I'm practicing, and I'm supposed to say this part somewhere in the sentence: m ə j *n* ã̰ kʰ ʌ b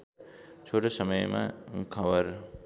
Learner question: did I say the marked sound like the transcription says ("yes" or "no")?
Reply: no